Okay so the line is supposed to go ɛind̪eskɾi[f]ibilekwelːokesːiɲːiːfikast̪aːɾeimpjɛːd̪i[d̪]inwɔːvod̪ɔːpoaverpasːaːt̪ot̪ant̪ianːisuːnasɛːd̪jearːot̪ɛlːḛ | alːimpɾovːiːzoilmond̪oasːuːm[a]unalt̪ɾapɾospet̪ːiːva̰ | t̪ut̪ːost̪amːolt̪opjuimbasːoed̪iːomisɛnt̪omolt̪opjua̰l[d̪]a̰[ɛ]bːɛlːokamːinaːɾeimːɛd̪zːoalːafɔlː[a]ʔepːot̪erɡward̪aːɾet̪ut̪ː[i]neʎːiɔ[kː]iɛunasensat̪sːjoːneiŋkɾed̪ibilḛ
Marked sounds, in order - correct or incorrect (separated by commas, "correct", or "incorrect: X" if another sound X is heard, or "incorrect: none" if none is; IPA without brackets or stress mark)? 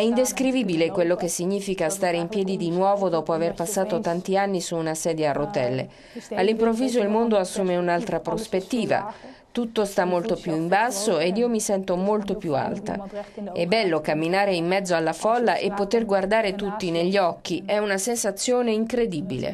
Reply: incorrect: v, correct, incorrect: e, incorrect: t̪, correct, correct, correct, correct